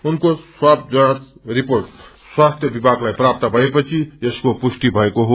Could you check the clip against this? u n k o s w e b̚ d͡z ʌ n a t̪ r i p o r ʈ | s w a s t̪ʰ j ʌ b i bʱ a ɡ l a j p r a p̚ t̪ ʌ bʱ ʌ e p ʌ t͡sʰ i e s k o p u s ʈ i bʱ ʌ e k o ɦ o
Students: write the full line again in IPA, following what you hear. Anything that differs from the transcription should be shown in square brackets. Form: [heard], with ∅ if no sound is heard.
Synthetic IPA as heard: u n k o s w [a] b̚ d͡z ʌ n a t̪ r i p o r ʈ | s w a s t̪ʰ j ʌ b i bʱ a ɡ l a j p r a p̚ t̪ ʌ bʱ ʌ e p ʌ t͡sʰ i e s k o p u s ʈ i bʱ ʌ e k o ɦ o